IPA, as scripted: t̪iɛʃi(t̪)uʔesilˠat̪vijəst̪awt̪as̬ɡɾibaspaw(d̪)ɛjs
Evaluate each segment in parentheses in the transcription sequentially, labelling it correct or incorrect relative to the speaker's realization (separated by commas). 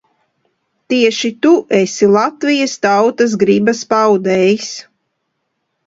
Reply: correct, correct